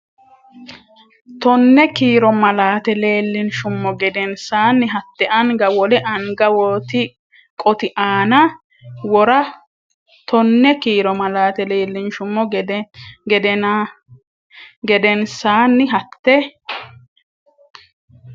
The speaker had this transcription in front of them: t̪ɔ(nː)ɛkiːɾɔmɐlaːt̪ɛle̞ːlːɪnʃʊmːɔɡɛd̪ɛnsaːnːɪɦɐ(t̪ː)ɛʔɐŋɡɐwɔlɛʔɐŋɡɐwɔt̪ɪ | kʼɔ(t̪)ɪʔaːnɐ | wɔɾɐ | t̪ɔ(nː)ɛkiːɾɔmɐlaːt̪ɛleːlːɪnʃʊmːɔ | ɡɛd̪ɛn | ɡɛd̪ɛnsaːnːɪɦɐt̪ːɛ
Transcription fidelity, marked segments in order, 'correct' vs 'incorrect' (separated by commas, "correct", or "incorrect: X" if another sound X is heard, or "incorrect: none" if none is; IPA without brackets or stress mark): correct, correct, correct, correct